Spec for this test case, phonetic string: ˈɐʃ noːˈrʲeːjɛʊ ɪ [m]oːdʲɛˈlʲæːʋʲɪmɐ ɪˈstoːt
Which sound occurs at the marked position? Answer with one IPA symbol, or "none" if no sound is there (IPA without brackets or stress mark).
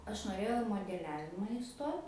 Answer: m